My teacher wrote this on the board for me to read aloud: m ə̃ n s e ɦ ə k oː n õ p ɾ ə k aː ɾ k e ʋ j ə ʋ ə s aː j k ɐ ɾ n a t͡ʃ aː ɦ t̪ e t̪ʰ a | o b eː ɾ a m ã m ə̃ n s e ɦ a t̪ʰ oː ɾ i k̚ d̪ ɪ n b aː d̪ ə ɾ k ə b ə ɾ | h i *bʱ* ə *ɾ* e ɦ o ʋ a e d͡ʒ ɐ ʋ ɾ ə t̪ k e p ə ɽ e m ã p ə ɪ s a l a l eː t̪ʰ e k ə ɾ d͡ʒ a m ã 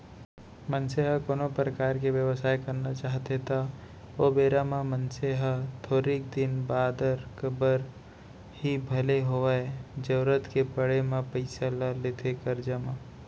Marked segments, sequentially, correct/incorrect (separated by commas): correct, incorrect